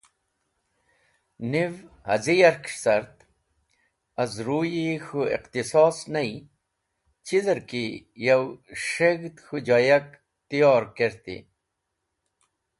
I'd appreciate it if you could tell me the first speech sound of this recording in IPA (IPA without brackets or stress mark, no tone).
n